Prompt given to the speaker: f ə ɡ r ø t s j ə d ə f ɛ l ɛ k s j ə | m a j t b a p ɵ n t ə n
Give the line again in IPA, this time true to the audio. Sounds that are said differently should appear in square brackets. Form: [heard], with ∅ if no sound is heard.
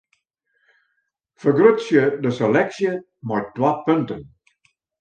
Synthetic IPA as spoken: f ə ɡ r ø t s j ə d ə [s] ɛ l ɛ k s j ə | m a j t [w] a p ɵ n t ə n